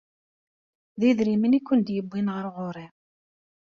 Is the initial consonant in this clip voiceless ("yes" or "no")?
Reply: no